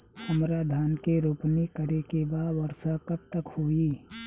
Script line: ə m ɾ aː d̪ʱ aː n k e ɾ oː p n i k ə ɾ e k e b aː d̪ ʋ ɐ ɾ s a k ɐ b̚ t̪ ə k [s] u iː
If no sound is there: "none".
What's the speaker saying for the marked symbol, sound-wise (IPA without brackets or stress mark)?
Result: h